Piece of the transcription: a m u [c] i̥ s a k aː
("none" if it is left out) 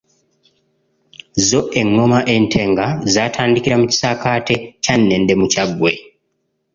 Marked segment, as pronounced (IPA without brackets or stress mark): c